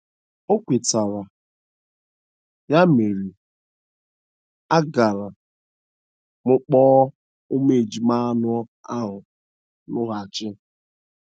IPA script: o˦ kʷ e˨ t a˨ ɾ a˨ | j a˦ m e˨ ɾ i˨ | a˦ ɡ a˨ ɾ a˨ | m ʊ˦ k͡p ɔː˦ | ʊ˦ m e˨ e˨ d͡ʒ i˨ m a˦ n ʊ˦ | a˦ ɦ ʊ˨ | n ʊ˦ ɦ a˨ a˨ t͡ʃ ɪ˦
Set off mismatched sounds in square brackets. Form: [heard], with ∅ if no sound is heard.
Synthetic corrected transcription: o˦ kʷ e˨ t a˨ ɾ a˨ | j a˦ m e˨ ɾ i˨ | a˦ ɡ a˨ ɾ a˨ | m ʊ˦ k͡p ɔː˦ | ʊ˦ m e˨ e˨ d͡ʒ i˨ m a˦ n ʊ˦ | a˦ ɦ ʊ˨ | n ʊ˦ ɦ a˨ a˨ t͡ʃ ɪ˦